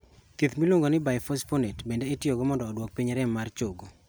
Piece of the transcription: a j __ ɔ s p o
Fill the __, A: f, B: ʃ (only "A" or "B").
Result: A